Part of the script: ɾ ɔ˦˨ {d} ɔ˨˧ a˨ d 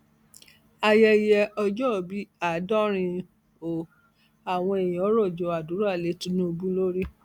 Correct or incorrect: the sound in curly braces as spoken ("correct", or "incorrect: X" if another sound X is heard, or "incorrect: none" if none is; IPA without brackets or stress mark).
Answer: incorrect: d͡ʒ